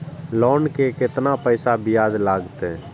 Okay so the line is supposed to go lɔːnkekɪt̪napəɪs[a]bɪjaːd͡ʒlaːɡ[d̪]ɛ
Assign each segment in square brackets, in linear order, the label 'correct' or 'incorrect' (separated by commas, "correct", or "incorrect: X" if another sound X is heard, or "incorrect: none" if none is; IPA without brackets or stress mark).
correct, incorrect: t̪